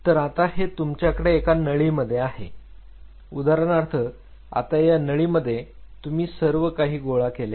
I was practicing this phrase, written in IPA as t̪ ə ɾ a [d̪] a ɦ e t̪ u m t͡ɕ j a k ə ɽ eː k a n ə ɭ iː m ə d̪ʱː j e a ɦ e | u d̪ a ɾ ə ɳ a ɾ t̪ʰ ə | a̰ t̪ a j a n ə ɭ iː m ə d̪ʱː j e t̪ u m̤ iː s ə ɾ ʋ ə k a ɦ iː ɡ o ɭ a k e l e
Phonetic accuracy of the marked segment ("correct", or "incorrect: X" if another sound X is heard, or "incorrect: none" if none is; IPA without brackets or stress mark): incorrect: t̪